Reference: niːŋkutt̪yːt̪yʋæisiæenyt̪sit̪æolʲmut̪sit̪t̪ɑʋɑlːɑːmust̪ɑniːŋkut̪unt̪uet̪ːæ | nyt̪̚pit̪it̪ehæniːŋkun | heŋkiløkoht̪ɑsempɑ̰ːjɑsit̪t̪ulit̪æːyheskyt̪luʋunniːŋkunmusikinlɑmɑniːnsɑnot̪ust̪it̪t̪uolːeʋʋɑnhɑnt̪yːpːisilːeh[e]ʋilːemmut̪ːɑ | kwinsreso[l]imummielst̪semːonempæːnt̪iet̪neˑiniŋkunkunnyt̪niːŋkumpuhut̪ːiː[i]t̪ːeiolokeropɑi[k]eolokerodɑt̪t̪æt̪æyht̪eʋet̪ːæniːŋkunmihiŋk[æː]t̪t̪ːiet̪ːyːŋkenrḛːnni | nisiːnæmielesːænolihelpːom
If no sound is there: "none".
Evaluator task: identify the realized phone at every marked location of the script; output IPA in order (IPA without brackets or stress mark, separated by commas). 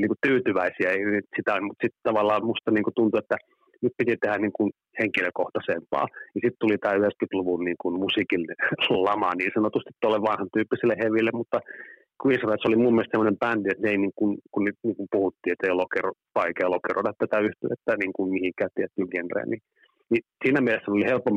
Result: e, l, e, k, æː